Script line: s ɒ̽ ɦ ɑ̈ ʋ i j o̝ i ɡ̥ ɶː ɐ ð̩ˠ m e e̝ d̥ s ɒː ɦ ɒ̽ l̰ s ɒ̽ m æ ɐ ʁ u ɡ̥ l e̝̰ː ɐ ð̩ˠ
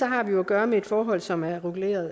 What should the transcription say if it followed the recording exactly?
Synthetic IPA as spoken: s ɒ̽ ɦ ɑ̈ ʋ i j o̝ æ ɡ̥ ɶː ɐ m e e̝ d̥ f ɒː ɦ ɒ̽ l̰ s ɒ̽ m æ ɐ ʁ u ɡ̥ l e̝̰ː ɐ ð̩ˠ